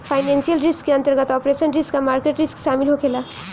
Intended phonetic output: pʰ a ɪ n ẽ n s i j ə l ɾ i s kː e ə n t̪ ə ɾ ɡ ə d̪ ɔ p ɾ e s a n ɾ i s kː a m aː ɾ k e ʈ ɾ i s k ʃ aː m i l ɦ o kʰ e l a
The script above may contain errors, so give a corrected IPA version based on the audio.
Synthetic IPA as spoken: pʰ a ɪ n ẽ n s i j ə l ɾ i s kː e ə n t̪ ə ɾ ɡ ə t̪ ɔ p ɾ e s ə n ɾ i s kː a m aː ɾ k e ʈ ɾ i s k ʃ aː m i l ɦ o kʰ e l a